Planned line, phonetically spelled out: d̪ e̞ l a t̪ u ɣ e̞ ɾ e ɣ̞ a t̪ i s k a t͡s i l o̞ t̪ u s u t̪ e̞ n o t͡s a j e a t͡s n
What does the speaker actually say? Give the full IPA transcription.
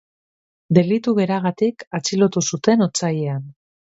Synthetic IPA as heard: d̪ e̞ l i t̪ u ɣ e̞ ɾ a ɣ̞ a t̪ i k a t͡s i l o̞ t̪ u s u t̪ e̞ n o t͡s a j e a n